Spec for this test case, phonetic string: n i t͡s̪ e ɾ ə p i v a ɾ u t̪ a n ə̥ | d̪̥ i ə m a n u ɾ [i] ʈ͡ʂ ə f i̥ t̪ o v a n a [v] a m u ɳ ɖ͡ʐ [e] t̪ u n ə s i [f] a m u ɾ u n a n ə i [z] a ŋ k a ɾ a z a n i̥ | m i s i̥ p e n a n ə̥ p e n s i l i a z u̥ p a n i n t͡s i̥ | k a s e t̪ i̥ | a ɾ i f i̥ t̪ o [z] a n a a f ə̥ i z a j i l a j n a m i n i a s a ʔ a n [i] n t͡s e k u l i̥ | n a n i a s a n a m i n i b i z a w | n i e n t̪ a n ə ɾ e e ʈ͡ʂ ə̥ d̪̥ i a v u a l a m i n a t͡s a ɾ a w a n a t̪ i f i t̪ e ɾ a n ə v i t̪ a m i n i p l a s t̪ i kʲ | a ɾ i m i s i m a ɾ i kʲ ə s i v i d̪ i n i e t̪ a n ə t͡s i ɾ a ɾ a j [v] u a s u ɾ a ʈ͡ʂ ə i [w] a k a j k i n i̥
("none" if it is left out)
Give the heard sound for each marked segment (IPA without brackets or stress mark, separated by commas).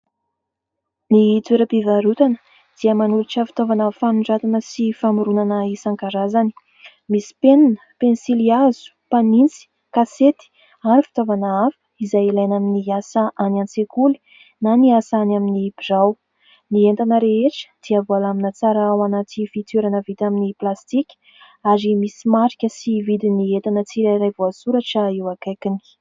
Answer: i, f, a, f, s, v, a, v, w